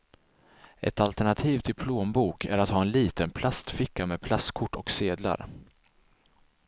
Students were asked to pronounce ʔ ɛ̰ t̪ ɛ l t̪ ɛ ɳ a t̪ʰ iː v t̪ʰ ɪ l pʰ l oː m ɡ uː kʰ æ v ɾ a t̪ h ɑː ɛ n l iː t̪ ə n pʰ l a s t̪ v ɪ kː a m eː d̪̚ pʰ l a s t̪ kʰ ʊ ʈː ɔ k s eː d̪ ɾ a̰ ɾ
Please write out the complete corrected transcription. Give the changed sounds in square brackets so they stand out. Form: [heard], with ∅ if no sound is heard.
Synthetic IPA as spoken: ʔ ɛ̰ t̪ [a] l t̪ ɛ ɳ a t̪ʰ iː v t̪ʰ ɪ l pʰ l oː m [b] uː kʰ æ [∅] ɾ a t̪ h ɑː ɛ n l iː t̪ ə n pʰ l a s t̪ [f] ɪ kː a m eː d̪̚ pʰ l a s t̪ kʰ ʊ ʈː ɔ k s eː d̪ [l] a̰ ɾ